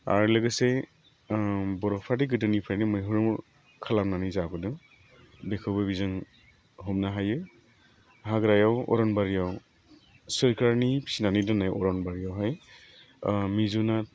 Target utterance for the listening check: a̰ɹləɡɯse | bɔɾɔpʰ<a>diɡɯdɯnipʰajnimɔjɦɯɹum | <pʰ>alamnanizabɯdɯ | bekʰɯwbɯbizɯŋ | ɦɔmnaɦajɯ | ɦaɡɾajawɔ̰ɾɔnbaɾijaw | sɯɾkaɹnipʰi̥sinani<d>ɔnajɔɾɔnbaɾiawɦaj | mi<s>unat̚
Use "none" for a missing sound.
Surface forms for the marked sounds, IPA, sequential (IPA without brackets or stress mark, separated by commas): a, kʰ, d, z